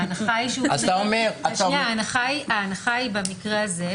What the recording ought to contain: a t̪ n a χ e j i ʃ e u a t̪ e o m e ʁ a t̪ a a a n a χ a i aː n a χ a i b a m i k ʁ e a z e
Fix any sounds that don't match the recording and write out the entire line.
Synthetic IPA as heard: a n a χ a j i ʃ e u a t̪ a o m e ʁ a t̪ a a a n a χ a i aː n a χ a i b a m i k ʁ e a z e